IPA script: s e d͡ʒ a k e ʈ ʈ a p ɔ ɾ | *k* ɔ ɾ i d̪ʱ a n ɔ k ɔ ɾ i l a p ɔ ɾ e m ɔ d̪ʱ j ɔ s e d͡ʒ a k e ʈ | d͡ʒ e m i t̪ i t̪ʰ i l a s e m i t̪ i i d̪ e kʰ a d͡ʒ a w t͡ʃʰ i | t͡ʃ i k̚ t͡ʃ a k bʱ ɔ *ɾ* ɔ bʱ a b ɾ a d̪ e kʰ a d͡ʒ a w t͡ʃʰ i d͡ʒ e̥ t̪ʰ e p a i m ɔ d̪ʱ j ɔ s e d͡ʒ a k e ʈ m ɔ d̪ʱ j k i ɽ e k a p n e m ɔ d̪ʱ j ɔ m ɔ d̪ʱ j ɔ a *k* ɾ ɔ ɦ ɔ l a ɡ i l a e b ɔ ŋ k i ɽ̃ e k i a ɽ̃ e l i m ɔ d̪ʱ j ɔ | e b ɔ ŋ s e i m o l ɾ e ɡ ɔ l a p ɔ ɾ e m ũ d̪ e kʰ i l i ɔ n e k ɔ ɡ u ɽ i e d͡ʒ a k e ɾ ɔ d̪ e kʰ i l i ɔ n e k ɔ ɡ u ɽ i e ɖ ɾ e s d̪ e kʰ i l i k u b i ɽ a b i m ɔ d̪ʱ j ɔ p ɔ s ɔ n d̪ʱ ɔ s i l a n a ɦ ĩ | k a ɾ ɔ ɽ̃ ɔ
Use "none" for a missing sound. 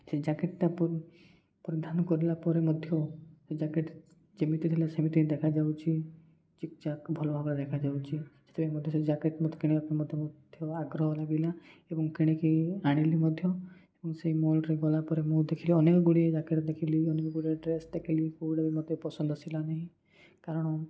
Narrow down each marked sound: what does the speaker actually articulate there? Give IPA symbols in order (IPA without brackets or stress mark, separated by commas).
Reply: p, l, ɡ